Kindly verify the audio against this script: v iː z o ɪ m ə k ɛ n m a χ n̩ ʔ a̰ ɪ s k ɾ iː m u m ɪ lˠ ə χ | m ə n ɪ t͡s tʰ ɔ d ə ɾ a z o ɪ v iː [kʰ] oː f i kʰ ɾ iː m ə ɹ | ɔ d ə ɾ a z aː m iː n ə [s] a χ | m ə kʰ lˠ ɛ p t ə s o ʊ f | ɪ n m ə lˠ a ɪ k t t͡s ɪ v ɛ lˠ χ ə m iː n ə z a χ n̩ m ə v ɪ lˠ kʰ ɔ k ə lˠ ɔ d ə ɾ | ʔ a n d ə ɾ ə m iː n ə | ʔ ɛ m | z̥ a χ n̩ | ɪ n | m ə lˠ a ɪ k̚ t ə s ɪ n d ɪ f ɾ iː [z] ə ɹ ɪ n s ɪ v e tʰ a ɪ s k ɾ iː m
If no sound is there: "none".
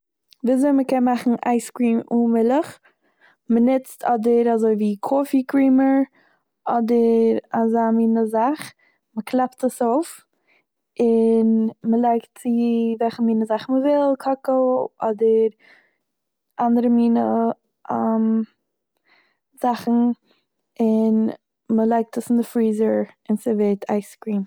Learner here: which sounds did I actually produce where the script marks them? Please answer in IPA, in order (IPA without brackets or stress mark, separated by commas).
kʰ, z, z